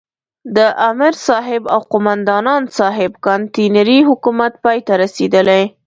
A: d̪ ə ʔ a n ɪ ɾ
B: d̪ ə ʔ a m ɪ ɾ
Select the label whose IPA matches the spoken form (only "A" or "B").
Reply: B